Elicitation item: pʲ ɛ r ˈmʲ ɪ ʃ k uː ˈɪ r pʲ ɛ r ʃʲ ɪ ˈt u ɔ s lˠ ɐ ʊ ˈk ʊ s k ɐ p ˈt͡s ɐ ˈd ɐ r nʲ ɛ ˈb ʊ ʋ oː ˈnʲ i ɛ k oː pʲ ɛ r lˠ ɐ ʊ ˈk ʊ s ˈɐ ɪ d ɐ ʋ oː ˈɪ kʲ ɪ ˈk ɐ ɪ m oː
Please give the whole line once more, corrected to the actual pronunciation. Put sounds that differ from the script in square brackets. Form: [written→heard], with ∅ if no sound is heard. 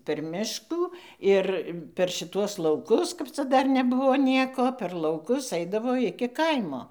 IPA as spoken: pʲ ɛ r ˈmʲ ɪ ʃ k uː ˈɪ r pʲ ɛ r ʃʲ ɪ ˈt u ɔ s lˠ ɐ ʊ ˈk ʊ s k ɐ p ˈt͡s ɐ ˈd ɐ r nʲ ɛ ˈb ʊ ʋ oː ˈnʲ i ɛ k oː pʲ ɛ r lˠ ɐ ʊ ˈk ʊ s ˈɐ ɪ d ɐ ʋ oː ˈɪ kʲ ɪ ˈk ɐ ɪ m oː